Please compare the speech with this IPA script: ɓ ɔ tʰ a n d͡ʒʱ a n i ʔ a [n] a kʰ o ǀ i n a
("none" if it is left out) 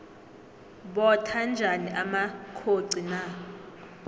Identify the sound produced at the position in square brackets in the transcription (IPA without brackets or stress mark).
m